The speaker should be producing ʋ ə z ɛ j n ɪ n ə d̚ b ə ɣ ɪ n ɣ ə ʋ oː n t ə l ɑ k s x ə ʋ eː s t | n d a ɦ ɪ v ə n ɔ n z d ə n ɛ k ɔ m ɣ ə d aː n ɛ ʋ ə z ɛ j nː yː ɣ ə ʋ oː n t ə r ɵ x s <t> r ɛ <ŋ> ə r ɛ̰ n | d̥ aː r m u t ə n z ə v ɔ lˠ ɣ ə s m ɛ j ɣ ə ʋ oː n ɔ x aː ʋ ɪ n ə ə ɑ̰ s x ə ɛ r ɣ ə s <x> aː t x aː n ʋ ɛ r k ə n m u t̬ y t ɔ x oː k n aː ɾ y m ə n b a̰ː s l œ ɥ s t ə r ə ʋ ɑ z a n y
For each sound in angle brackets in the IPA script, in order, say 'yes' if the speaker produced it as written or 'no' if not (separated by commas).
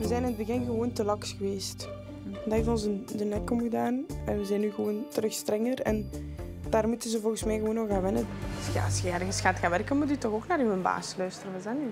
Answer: yes, yes, yes